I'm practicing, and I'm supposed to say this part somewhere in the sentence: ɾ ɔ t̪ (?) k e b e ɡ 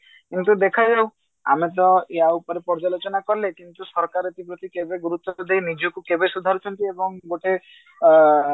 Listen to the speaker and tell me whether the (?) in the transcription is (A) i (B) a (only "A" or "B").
A